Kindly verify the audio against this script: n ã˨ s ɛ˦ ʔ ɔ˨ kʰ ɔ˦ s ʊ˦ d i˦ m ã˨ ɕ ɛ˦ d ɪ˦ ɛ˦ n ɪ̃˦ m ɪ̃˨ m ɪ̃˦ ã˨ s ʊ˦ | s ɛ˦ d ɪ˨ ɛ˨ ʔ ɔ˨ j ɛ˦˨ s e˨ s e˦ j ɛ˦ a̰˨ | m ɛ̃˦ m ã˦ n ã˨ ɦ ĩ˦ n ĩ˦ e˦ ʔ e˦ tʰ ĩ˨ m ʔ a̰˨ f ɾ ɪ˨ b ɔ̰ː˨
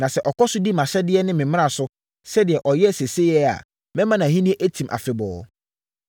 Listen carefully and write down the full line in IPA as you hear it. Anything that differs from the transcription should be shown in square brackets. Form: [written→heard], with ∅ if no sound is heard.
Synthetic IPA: n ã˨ s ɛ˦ ʔ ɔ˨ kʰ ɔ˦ s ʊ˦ d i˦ m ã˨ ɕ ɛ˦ d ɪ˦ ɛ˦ n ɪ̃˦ m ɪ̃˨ m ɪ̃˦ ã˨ s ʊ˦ | s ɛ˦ d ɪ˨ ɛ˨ ʔ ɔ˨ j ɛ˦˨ s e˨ s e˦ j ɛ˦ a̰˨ | m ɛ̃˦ m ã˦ n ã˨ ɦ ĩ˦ n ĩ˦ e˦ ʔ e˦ tʰ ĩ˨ m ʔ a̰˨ f ɾ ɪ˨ b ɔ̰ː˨